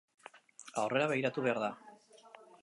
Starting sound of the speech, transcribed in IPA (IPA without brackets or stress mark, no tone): a